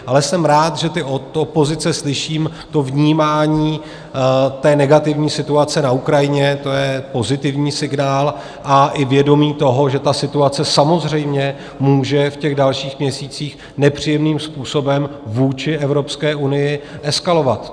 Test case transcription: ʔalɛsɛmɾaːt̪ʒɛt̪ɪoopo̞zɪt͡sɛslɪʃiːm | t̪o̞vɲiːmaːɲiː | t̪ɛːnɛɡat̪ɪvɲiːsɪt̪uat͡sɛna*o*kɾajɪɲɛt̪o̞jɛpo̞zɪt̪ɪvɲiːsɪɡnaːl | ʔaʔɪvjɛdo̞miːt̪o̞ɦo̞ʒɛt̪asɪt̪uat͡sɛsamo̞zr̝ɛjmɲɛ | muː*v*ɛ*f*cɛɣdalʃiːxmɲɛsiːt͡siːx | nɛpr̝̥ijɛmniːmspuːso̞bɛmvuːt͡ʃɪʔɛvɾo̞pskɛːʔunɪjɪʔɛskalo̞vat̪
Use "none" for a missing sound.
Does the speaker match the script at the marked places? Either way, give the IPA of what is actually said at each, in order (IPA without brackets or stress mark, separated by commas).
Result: u, ʒ, f